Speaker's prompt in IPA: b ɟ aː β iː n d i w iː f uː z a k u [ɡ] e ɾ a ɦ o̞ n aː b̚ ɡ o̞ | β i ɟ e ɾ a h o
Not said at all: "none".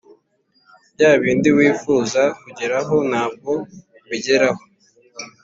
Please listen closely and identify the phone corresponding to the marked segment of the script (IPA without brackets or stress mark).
ɟ